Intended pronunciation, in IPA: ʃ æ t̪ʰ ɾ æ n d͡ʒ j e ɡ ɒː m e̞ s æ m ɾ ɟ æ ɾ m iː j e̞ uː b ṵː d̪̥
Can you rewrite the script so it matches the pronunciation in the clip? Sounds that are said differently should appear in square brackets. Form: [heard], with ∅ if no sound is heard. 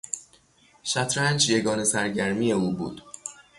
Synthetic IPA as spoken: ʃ æ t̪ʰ ɾ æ n d͡ʒ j e ɡ ɒː [n] e̞ s æ [∅] ɾ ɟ æ ɾ m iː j e̞ uː b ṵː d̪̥